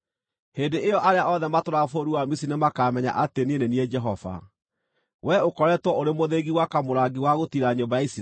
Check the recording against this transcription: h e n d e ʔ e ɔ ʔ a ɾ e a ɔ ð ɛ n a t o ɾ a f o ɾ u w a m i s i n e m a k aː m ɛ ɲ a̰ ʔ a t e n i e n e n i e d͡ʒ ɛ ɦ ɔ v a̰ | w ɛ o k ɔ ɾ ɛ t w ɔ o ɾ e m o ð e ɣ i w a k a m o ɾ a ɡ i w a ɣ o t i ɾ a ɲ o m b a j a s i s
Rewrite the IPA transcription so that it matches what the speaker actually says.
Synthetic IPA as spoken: h e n d e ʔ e ɔ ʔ a ɾ e a ɔ ð ɛ m a t o ɾ a f o ɾ u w a m i s i n e m a k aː m ɛ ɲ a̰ ʔ a t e n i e n e n i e d͡ʒ ɛ ɦ ɔ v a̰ | w ɛ o k ɔ ɾ ɛ t w ɔ o ɾ e m o ð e ɣ i w a k a m o ɾ a ɡ i w a ɣ o t i ɾ a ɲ o m b a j a i s